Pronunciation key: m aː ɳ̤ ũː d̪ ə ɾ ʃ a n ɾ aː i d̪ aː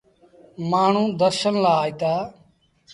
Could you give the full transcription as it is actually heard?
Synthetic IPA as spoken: m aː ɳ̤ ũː d̪ ə ɾ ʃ ə n l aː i t̪ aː